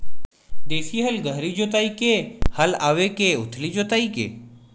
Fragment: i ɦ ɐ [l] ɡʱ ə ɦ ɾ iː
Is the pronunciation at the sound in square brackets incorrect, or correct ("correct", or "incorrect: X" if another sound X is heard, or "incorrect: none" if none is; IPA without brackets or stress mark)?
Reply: correct